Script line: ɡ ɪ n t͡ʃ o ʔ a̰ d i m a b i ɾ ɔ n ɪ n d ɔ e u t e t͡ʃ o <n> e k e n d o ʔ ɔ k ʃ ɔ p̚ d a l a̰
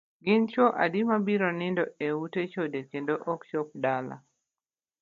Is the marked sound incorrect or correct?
incorrect